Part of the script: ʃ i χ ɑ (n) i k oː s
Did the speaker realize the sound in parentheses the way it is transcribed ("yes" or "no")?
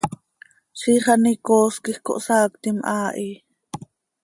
yes